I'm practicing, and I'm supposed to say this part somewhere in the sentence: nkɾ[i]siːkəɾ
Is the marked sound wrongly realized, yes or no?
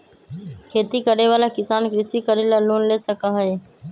yes